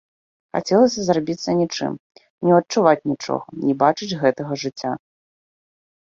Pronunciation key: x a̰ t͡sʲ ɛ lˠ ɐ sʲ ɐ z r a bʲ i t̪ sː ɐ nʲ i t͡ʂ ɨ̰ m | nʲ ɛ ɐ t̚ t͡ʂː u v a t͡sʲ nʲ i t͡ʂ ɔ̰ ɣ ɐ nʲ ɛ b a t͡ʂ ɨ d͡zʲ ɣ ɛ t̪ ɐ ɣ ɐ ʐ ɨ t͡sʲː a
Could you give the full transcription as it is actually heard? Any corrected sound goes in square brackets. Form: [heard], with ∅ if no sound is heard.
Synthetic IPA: x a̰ t͡sʲ ɛ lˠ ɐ sʲ ɐ z r a bʲ i t̪ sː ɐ nʲ i t͡ʂ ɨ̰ m | nʲ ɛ ɐ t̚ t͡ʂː u v a t͡sʲ nʲ i t͡ʂ ɔ̰ ɣ ɐ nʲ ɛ b a t͡ʂ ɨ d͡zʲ ɣ ɛ t̪ ɐ ɣ ɐ ʐ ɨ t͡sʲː a